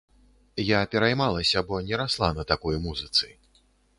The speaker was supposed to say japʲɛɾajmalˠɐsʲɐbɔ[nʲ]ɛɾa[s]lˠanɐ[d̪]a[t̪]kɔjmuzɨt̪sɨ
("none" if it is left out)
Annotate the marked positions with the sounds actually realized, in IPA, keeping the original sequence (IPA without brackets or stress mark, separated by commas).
nʲ, s, t̪, none